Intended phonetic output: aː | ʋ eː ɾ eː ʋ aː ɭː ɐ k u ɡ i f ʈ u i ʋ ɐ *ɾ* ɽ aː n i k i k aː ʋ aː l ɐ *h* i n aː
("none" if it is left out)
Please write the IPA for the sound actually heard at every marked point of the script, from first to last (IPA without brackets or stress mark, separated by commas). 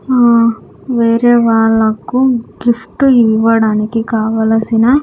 none, s